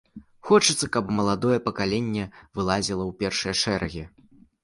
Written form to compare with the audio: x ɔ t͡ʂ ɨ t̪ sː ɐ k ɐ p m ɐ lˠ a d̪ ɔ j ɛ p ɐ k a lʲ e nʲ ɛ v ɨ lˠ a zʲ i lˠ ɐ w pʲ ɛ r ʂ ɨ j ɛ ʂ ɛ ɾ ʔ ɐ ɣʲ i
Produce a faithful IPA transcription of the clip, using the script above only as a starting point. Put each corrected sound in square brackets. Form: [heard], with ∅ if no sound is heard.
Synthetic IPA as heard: x ɔ t͡ʂ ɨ t̪ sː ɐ k ɐ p m ɐ lˠ a d̪ ɔ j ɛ p ɐ k a lʲ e [nʲː] ɛ v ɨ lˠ a zʲ i lˠ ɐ w pʲ ɛ r ʂ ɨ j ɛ ʂ ɛ ɾ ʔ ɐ ɣʲ i

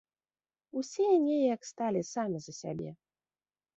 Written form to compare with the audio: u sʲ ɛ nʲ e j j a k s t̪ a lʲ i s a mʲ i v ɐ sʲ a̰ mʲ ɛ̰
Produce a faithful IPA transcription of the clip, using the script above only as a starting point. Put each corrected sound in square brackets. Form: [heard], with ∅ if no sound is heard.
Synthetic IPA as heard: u sʲ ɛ nʲ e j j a k s t̪ a lʲ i s a mʲ i [z] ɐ sʲ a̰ [bʲ] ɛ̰

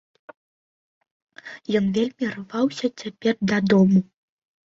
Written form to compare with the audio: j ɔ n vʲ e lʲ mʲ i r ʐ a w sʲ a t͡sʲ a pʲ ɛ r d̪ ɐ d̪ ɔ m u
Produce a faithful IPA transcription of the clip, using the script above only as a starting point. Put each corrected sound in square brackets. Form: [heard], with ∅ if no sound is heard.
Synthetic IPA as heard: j ɔ n vʲ e lʲ mʲ i r [v] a w sʲ [ɐ] t͡sʲ a pʲ ɛ r d̪ ɐ d̪ ɔ m u

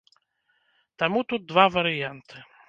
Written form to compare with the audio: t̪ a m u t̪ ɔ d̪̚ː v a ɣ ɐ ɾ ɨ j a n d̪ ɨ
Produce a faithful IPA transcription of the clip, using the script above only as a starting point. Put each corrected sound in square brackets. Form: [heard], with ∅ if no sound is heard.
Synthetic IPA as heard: t̪ a m u t̪ [u] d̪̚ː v a [v] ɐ ɾ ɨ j a n [t̪] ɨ

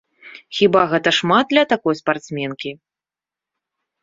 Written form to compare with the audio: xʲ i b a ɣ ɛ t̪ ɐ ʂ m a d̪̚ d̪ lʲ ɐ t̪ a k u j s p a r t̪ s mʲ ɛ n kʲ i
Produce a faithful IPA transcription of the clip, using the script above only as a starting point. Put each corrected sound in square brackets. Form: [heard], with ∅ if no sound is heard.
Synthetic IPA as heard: xʲ i b a ɣ ɛ t̪ ɐ ʂ m a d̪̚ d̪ lʲ ɐ t̪ a k [ɔ] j s p a r t̪ s mʲ ɛ n kʲ i

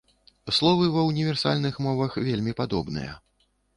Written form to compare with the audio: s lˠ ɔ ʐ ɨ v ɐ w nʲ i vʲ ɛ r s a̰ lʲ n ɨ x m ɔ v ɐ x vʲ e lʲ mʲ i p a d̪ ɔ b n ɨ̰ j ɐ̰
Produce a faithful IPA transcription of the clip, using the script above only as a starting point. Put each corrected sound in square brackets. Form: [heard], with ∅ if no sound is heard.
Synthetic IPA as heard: s lˠ ɔ [v] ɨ v ɐ w nʲ i vʲ ɛ r s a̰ lʲ n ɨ x m ɔ v ɐ x vʲ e lʲ mʲ i p a d̪ ɔ b n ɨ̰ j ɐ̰

